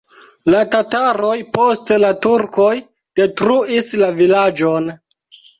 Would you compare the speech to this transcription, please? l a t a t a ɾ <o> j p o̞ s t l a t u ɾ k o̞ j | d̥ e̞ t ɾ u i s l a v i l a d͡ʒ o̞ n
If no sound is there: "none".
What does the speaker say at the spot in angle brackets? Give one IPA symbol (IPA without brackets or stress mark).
o